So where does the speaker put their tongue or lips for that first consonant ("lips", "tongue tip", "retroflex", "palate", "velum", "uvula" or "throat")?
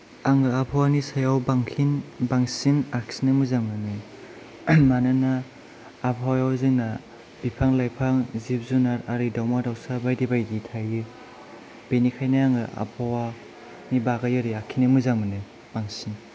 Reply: velum